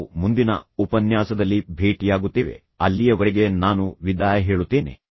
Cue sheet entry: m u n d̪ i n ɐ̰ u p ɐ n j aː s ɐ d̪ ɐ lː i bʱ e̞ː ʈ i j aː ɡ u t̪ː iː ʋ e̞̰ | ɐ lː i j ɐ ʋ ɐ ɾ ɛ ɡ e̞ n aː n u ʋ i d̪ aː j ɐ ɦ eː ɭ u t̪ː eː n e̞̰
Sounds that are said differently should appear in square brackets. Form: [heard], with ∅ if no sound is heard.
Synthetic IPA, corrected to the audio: m u n d̪ i n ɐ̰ u p ɐ n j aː s ɐ d̪ ɐ lː i bʱ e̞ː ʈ i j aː ɡ u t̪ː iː ʋ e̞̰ | ɐ lː i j ɐ ʋ ɐ ɾ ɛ ɡ e̞ n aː n u ʋ i d̪ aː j ɐ ɦ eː ɭ u t̪ː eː n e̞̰